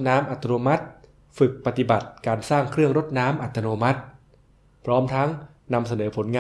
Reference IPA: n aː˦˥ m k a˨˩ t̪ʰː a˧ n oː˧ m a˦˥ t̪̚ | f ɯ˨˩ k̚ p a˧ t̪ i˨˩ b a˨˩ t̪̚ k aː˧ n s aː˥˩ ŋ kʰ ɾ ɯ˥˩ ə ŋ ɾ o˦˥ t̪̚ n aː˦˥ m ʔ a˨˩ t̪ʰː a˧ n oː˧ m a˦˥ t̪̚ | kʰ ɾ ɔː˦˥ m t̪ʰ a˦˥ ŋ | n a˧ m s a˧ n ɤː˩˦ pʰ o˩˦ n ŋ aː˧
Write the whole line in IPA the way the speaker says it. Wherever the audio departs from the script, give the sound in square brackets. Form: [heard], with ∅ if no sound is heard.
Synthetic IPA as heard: n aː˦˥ m [ʔ] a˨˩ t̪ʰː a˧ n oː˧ m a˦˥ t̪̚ | f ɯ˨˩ k̚ p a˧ t̪ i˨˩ b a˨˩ t̪̚ k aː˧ n s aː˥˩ ŋ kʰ ɾ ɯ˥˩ ə ŋ ɾ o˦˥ t̪̚ n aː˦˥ m ʔ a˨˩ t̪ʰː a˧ n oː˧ m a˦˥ t̪̚ | [pʰ] ɾ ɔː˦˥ m t̪ʰ a˦˥ ŋ | n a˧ m s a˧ n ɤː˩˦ pʰ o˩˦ n ŋ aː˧